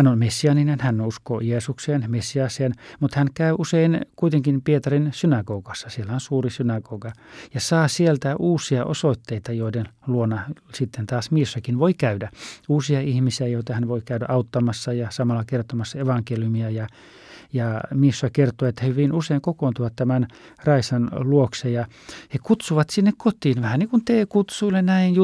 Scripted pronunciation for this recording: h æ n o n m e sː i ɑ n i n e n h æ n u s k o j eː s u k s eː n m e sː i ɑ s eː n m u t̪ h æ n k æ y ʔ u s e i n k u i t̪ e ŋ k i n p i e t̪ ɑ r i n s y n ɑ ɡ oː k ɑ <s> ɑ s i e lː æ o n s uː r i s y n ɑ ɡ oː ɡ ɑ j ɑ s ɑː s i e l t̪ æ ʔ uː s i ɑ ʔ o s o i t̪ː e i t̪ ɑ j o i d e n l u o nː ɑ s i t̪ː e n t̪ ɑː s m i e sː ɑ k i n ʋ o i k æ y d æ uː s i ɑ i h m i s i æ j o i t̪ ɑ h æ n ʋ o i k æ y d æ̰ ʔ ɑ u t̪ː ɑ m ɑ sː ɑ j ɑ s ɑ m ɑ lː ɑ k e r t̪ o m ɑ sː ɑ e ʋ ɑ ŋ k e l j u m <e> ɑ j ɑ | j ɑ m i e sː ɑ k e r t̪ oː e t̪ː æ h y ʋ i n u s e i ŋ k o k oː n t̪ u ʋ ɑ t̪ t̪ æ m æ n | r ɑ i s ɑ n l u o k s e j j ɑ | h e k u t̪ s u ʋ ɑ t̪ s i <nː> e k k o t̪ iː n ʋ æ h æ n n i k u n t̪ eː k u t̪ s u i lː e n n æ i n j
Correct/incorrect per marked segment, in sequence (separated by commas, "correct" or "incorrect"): incorrect, incorrect, correct